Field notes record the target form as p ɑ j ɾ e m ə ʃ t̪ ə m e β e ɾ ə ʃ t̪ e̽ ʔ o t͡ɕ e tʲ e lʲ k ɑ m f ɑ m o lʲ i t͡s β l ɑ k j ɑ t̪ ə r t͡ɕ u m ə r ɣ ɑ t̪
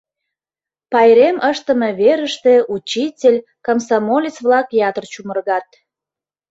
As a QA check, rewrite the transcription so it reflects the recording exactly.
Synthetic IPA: p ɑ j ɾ e m ə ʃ t̪ ə m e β e ɾ ə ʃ t̪ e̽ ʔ u t͡ɕ i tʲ e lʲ k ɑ m s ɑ m o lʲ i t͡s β l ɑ k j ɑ t̪ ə r t͡ɕ u m ə r ɣ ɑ t̪